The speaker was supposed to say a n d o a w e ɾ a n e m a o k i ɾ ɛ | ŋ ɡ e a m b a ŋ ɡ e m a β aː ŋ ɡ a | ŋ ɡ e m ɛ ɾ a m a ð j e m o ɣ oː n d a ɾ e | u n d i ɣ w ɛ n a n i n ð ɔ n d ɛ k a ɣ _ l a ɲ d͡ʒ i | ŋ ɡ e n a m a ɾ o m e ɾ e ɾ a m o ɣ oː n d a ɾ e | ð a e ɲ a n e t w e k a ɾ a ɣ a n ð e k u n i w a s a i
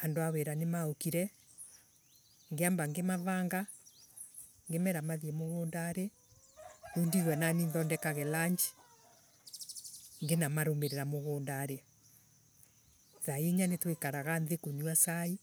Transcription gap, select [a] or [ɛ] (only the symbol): ɛ